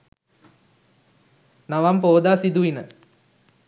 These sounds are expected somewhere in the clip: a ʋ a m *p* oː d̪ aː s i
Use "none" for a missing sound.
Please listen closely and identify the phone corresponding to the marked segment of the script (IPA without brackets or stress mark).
p